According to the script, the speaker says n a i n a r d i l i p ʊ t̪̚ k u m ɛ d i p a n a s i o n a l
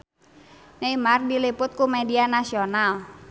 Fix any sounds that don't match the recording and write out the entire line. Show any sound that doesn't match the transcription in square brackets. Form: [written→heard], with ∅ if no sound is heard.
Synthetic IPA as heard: n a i [n→m] a r d i l i p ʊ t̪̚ k u m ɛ d i [p→∅] a n a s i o n a l